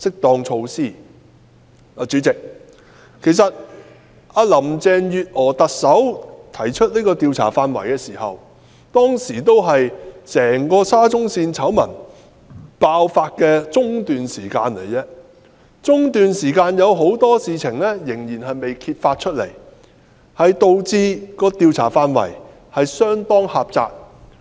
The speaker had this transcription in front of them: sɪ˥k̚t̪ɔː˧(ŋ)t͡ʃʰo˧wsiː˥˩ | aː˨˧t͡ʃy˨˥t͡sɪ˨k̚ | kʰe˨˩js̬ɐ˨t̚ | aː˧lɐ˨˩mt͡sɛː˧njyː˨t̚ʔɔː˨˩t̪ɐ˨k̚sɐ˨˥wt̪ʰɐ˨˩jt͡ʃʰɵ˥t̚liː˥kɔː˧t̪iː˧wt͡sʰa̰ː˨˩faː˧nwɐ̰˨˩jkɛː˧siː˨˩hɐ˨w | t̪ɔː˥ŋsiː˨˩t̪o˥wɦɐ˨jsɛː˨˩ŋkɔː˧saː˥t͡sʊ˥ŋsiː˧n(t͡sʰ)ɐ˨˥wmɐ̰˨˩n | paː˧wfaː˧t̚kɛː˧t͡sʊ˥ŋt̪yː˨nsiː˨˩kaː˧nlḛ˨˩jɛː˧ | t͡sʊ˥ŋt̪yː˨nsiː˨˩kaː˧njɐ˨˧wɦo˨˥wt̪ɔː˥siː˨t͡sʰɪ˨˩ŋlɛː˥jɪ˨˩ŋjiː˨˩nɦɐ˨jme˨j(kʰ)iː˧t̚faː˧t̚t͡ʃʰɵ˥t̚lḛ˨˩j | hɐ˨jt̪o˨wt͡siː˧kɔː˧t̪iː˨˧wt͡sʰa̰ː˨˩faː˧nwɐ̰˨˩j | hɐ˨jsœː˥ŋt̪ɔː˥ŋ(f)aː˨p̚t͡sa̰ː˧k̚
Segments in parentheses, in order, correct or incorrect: correct, correct, correct, incorrect: h

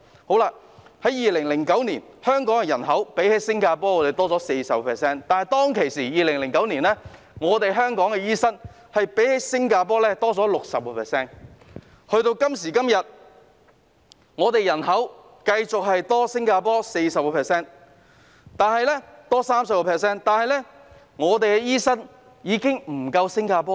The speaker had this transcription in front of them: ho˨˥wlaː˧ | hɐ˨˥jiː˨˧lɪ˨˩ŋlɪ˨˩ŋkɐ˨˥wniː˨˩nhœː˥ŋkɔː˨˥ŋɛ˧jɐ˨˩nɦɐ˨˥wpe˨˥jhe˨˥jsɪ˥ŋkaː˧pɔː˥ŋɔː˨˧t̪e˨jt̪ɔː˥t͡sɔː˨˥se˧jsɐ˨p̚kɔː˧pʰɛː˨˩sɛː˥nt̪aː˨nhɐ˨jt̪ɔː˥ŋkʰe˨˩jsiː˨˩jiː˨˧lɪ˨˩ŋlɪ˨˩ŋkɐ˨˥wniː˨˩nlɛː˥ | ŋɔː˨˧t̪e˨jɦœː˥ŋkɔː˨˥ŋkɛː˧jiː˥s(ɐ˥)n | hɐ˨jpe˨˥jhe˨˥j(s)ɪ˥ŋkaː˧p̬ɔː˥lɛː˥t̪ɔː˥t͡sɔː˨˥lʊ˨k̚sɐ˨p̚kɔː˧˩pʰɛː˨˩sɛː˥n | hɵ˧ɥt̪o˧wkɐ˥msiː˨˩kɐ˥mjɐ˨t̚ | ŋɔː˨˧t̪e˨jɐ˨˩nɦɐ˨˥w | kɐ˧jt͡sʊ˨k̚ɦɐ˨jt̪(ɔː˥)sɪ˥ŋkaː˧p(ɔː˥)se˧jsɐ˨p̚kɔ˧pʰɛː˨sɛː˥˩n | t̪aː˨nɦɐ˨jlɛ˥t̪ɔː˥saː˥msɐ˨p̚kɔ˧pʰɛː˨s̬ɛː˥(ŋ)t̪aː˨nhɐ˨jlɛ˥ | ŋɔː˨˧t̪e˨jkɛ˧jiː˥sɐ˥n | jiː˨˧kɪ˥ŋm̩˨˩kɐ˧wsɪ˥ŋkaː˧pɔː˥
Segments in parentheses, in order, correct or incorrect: correct, correct, correct, correct, incorrect: n

